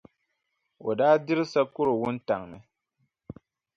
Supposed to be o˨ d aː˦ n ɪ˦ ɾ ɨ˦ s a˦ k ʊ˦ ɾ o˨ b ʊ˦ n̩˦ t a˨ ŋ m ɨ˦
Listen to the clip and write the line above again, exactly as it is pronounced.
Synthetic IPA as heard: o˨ d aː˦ d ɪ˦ ɾ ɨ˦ s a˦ k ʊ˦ ɾ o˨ w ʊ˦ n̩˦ t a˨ ŋ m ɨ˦